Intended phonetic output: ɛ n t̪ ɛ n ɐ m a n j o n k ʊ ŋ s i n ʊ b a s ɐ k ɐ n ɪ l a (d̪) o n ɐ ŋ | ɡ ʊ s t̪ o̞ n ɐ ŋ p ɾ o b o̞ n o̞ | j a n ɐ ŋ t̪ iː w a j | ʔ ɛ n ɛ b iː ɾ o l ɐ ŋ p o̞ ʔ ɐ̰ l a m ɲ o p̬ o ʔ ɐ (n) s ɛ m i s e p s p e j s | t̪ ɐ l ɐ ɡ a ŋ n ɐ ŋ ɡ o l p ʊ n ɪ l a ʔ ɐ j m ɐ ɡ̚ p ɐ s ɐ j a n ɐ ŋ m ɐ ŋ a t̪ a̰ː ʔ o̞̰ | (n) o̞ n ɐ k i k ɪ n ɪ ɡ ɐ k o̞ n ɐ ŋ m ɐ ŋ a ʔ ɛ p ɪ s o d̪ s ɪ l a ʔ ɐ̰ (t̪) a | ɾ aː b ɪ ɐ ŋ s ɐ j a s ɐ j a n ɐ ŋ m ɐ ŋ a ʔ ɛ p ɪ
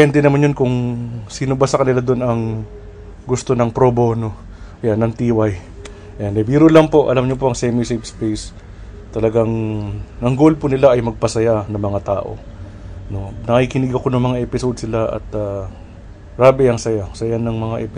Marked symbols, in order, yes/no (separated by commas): yes, no, yes, yes